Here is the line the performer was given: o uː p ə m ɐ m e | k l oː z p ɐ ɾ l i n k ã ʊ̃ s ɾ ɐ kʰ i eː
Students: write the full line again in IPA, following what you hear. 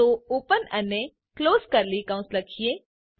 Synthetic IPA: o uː p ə n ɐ n e | k l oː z k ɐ ɾ l i k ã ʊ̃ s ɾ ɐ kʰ i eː